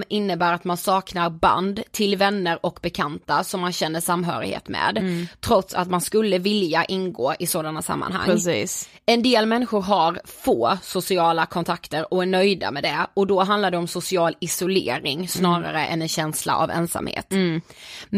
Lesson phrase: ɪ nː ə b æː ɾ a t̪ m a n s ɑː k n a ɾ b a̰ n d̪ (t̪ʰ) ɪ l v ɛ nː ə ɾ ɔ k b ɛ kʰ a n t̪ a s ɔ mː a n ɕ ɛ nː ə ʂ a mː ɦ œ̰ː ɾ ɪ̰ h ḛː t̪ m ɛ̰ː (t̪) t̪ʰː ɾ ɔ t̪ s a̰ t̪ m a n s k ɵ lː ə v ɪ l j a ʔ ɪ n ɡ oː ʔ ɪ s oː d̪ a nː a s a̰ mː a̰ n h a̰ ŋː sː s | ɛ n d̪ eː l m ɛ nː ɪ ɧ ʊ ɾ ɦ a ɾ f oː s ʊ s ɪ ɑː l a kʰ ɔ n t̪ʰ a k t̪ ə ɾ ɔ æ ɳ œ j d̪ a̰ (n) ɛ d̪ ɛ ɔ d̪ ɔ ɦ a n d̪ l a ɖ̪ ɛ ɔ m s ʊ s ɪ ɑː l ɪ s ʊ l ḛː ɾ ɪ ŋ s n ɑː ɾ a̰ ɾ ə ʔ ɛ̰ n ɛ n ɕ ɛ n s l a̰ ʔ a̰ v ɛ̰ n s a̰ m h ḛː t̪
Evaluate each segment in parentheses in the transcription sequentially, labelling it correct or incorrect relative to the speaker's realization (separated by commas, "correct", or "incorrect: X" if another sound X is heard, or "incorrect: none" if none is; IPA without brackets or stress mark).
correct, incorrect: d̪, incorrect: m